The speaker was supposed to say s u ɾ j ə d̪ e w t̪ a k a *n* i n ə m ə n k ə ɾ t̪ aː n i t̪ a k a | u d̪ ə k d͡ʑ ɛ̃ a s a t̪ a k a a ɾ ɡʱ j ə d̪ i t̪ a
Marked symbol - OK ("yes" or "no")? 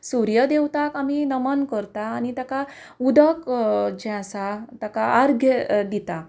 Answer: no